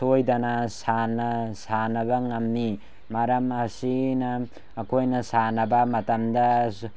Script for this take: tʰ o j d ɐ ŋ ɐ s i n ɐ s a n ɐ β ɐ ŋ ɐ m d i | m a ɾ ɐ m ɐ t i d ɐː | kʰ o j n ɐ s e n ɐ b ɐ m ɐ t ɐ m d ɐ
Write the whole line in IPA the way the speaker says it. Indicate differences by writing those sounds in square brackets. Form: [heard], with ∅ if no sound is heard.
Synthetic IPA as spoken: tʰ o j d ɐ [n] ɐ s [a] n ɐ s a n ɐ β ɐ ŋ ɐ m [n] i | m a ɾ ɐ m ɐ [s] i [n] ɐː | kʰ o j n ɐ s [a] n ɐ b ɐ m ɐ t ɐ m d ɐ